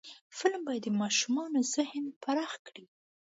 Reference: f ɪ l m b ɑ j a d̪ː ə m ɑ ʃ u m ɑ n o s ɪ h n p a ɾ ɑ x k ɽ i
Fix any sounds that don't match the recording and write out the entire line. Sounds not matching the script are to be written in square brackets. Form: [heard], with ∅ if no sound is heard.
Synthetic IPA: f ɪ l m b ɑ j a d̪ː ə m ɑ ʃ u m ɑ n o [z] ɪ h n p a ɾ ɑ x k ɽ i